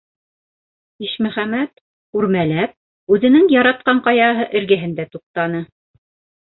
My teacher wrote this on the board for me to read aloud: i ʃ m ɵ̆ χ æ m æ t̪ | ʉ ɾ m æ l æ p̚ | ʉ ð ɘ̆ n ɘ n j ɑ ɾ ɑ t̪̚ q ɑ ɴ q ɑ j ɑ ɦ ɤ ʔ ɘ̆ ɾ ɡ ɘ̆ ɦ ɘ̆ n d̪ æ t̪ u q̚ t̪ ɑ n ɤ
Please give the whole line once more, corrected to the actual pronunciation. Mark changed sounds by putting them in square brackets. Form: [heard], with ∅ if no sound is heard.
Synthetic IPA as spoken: i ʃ m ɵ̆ χ æ m æ t̪ | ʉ ɾ m æ l æ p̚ | ʉ ð ɘ̆ n ɘ [ŋ] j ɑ ɾ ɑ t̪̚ q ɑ ɴ q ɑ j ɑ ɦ ɤ ʔ ɘ̆ ɾ ɡ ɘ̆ ɦ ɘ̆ n d̪ æ t̪ u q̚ t̪ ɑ n ɤ